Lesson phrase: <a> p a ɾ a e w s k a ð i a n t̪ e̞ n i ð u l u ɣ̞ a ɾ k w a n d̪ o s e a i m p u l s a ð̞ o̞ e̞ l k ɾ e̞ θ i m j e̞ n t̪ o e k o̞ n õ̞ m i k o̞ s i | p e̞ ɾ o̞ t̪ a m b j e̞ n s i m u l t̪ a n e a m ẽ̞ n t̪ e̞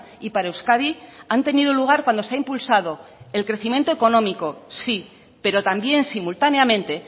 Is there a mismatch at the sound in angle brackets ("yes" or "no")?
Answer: yes